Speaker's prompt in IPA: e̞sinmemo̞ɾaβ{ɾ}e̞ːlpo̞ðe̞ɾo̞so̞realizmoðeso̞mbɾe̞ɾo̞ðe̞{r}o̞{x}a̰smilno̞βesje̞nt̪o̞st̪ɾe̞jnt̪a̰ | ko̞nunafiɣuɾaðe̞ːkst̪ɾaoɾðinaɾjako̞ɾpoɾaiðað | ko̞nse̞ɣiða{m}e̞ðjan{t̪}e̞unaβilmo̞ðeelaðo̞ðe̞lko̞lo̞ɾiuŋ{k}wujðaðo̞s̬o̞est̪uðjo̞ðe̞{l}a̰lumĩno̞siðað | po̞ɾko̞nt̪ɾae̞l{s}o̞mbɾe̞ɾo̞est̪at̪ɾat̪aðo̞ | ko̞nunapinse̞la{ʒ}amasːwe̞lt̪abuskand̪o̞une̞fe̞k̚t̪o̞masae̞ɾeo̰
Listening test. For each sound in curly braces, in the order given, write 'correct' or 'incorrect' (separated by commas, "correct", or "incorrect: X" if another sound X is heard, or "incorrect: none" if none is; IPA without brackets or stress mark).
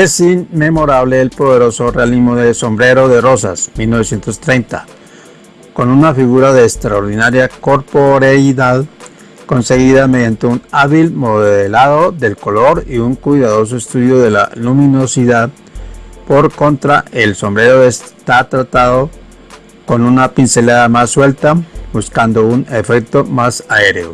incorrect: l, correct, incorrect: s, correct, correct, correct, correct, correct, incorrect: ð